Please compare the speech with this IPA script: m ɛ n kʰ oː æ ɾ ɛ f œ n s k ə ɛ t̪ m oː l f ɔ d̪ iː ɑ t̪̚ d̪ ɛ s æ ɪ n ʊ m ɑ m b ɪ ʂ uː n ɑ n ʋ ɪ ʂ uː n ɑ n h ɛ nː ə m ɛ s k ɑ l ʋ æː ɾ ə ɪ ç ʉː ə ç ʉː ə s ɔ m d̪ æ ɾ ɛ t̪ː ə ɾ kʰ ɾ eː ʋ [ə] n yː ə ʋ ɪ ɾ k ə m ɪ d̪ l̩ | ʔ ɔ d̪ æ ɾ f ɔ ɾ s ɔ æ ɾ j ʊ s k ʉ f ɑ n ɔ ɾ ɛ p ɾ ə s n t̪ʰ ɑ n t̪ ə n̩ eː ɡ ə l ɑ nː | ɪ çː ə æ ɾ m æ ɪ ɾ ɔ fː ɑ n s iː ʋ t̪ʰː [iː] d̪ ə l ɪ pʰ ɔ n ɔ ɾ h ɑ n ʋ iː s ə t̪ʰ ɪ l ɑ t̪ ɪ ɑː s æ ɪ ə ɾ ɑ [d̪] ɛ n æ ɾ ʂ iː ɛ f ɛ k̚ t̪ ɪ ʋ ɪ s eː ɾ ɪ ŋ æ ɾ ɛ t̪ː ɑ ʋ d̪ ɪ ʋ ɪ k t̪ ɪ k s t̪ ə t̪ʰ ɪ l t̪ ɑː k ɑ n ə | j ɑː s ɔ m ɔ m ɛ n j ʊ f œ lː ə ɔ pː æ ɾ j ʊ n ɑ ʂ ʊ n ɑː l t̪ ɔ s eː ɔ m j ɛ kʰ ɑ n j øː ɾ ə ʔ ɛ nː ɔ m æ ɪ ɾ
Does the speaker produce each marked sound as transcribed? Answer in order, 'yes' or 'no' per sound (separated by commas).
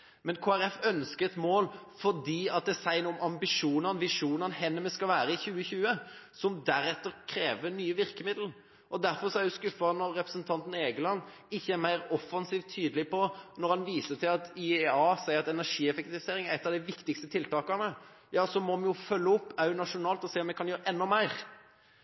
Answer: yes, no, no